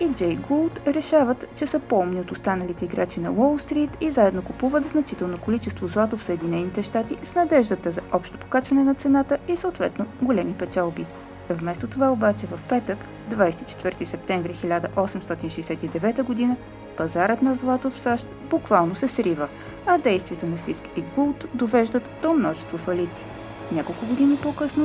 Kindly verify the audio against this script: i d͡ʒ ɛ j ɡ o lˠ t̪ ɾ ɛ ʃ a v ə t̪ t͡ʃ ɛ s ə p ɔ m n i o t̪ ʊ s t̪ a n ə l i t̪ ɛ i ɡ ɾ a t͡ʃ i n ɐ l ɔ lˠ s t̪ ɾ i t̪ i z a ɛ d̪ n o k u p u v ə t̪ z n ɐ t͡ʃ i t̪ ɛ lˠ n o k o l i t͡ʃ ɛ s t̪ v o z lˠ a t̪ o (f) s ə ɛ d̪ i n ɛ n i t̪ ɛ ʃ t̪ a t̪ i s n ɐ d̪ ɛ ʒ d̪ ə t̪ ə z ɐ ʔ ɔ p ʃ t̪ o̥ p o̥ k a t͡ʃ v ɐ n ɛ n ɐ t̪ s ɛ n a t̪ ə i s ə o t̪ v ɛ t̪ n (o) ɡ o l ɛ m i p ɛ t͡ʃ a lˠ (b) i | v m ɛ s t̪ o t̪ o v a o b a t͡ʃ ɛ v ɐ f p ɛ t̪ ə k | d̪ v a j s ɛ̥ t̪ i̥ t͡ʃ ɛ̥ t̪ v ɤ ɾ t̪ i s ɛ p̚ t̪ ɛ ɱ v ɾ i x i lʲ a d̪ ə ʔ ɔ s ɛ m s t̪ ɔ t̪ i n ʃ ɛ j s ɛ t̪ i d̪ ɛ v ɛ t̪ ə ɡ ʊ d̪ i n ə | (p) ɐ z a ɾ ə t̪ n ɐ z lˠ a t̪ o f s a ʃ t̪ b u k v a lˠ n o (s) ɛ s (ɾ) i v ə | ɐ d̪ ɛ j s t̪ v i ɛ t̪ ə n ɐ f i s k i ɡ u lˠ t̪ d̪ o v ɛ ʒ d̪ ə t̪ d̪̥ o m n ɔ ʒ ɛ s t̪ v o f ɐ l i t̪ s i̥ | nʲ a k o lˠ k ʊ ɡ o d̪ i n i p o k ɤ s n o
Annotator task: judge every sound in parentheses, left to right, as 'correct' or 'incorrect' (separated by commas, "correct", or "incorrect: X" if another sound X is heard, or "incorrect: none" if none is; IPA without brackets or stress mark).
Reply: correct, correct, correct, correct, correct, correct